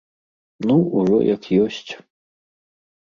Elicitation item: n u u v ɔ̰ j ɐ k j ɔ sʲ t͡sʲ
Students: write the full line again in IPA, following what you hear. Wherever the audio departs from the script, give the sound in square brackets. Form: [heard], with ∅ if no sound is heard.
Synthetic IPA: n u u [ʐ] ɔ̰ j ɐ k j ɔ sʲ t͡sʲ